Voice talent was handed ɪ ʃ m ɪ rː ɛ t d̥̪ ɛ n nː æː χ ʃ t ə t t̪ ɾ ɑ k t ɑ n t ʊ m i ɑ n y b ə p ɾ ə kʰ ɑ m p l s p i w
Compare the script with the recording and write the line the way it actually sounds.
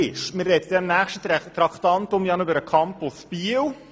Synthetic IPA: ɪ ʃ m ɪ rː ɛ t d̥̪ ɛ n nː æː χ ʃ t ə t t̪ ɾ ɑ k t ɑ n t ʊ m j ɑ n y b ə ɾ ə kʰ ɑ m p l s p i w